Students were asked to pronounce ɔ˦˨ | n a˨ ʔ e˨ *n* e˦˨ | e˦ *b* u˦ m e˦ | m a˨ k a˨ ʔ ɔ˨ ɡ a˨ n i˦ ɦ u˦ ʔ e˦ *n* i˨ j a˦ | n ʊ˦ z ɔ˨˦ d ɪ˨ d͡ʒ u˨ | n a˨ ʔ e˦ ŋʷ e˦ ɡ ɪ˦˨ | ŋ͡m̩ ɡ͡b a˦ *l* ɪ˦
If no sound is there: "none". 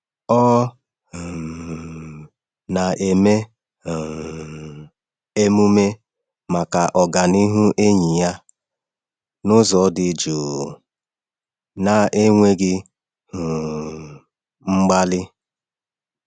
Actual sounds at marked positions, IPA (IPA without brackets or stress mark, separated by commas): m, m, ɲ, l